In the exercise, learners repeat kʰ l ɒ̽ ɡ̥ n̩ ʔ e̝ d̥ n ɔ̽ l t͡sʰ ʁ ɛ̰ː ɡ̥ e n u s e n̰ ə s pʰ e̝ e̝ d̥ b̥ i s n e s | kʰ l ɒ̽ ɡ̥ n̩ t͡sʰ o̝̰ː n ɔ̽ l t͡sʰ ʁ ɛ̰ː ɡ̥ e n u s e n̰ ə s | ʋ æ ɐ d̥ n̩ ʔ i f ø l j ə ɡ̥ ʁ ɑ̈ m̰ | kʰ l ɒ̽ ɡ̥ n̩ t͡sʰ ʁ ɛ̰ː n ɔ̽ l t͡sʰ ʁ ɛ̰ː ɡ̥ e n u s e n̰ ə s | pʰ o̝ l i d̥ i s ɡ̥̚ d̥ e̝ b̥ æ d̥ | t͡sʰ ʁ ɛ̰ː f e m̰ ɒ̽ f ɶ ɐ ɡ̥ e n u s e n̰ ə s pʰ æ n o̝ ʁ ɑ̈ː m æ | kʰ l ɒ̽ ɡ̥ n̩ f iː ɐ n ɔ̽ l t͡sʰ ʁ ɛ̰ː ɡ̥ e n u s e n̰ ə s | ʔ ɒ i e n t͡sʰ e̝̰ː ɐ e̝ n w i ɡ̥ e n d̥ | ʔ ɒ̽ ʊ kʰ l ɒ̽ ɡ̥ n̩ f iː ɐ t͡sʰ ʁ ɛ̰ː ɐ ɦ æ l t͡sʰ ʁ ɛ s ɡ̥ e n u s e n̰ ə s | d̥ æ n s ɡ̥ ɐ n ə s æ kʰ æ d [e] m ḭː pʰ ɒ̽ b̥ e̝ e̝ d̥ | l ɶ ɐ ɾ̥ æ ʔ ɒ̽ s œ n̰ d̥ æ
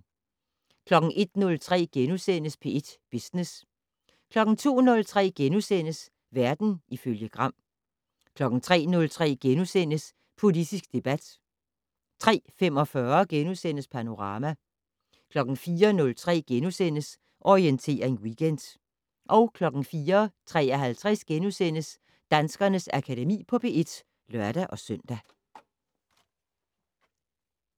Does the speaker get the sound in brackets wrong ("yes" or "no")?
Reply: no